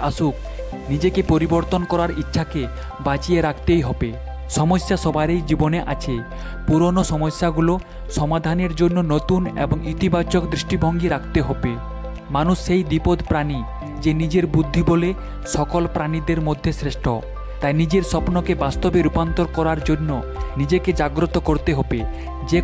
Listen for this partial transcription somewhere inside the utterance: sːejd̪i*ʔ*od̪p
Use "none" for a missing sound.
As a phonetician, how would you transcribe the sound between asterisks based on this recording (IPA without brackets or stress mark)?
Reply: p